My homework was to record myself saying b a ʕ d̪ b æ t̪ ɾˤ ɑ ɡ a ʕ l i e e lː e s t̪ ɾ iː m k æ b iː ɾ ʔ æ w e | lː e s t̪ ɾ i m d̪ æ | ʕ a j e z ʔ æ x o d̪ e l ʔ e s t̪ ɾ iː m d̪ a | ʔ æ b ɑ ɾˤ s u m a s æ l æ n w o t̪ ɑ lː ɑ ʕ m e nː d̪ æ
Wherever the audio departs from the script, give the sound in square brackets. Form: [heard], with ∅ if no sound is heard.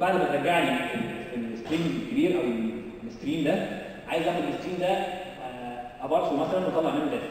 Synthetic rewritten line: b a ʕ d̪ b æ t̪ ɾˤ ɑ ɡ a ʕ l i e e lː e s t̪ ɾ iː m k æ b iː ɾ ʔ æ w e | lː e s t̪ ɾ [iː] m d̪ æ | ʕ a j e z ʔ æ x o d̪ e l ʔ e s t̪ ɾ iː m d̪ [æ] | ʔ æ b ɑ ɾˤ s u m [æ] s æ l æ n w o t̪ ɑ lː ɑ ʕ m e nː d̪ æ